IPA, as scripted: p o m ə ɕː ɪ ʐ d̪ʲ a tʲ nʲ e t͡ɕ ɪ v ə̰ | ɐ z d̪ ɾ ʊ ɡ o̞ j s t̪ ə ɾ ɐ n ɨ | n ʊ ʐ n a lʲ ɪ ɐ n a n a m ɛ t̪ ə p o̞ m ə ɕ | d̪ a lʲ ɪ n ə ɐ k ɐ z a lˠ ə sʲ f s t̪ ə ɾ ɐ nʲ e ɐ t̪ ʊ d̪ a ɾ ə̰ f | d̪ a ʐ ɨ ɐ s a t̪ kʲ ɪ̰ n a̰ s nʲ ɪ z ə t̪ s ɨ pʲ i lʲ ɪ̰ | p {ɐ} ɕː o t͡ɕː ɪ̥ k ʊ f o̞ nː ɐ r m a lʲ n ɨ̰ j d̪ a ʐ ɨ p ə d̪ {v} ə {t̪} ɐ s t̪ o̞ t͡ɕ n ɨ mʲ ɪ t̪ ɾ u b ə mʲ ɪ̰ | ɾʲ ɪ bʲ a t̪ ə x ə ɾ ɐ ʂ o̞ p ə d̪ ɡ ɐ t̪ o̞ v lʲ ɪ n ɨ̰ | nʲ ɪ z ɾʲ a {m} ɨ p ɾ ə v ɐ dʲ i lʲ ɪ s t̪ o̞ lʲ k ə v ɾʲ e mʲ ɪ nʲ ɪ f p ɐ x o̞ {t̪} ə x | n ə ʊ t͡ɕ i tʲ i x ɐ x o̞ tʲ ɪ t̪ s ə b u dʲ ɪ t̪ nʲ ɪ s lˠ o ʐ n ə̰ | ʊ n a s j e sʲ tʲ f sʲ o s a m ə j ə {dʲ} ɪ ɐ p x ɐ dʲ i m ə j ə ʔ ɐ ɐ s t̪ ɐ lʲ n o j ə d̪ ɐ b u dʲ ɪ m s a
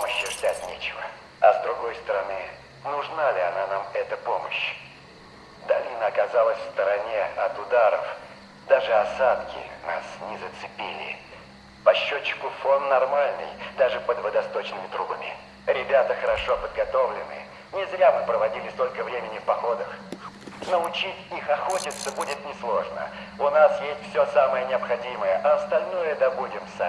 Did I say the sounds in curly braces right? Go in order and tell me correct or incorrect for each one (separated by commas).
correct, correct, incorrect, correct, incorrect, incorrect